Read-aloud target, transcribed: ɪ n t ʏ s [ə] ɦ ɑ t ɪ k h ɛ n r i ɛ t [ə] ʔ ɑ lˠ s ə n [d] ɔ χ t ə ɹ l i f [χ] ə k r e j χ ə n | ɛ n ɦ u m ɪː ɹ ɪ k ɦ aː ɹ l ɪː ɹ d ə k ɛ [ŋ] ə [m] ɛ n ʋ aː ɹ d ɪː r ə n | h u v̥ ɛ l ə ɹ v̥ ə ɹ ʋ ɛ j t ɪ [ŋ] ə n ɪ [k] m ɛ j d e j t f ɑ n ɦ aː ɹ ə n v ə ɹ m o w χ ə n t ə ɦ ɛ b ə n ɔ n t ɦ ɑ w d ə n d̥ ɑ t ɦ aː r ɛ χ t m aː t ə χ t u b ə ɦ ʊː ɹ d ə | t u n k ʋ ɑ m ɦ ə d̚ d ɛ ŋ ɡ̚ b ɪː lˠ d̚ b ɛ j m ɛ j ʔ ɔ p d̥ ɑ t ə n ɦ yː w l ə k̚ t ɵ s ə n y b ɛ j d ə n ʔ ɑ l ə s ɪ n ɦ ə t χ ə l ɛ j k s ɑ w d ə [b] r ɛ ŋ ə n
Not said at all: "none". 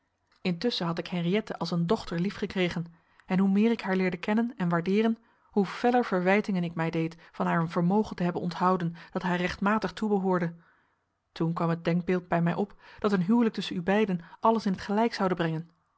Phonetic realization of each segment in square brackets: ə, ə, d, χ, n, n, ŋ, k, b

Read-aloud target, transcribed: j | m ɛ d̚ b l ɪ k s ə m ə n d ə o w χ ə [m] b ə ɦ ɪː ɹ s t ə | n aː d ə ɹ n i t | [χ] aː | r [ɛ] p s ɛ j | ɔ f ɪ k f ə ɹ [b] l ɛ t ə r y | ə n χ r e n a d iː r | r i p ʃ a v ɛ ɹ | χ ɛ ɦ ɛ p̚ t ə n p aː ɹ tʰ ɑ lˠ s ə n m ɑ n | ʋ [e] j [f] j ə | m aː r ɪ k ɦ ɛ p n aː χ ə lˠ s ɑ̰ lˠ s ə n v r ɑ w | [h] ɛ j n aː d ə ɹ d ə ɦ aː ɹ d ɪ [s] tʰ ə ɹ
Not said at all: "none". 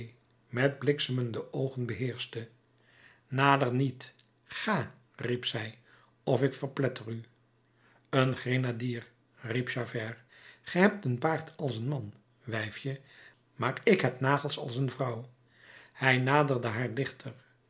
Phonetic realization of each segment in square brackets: n, χ, i, p, ɛ, f, h, χ

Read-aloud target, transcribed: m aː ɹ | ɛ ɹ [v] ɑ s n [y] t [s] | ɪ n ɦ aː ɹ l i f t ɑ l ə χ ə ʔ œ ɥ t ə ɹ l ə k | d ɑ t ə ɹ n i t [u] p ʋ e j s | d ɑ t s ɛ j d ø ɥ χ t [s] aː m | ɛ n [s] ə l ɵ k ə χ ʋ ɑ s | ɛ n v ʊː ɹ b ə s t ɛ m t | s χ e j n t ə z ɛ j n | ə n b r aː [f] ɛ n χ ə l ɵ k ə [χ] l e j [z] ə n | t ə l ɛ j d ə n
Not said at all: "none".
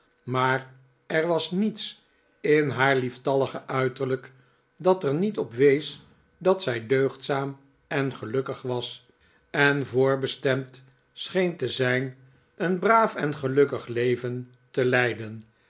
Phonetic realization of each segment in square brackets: ʋ, i, s, ɔ, s, χ, f, χ, v

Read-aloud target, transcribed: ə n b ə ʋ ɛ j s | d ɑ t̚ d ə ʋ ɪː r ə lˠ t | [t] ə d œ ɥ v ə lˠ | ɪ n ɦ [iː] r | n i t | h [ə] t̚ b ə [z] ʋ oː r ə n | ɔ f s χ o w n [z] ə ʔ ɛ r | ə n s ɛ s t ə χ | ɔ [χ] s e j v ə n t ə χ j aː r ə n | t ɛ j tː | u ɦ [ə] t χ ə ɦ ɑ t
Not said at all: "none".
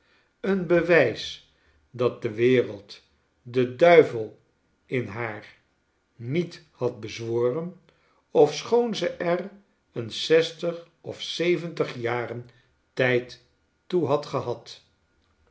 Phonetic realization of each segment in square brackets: d, aː, ɑ, z, z, f, ɑ

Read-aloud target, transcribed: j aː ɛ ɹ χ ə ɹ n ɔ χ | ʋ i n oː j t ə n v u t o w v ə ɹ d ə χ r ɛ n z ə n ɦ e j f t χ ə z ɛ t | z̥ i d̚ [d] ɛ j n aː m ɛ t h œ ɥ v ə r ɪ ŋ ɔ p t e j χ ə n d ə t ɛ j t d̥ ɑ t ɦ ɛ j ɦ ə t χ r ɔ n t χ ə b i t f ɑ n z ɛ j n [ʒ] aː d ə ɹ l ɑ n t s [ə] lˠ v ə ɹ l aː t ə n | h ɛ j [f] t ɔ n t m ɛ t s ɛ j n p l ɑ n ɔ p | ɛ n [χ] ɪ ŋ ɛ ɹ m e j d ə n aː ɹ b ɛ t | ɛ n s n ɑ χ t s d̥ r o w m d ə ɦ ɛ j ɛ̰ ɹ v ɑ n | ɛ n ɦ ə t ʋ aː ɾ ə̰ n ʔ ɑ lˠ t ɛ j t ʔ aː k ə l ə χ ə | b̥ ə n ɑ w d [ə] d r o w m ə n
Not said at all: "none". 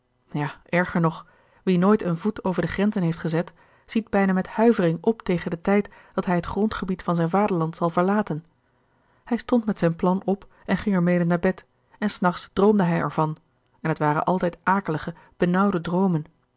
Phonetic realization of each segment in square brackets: b, v, ɑ, s, χ, ə

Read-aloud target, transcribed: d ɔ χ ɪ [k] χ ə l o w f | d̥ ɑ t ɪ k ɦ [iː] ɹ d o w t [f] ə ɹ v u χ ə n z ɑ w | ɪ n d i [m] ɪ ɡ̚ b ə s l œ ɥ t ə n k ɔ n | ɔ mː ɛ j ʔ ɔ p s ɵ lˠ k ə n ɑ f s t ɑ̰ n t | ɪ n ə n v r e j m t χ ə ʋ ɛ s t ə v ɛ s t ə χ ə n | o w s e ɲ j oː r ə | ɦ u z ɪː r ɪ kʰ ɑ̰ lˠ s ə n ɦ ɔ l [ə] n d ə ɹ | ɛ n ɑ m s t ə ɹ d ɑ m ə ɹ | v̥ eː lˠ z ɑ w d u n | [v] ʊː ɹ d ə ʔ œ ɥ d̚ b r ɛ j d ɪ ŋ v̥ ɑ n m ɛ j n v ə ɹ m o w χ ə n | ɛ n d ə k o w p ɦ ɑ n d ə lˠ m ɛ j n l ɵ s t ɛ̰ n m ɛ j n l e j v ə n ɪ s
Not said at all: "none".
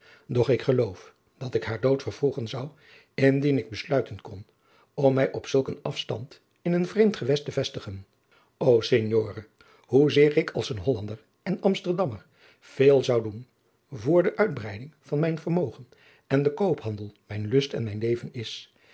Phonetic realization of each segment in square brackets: k, aː, f, n, ɑ, v

